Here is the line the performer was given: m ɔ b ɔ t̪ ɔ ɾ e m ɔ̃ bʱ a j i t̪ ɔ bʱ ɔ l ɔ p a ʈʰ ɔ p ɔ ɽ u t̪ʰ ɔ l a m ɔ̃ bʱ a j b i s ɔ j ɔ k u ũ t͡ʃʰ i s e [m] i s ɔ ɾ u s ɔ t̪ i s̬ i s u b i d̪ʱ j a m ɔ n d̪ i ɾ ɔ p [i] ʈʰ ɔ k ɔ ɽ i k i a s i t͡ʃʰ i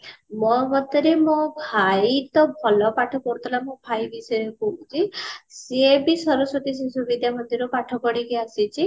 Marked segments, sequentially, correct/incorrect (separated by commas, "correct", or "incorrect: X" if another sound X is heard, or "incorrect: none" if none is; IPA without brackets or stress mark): incorrect: b, incorrect: a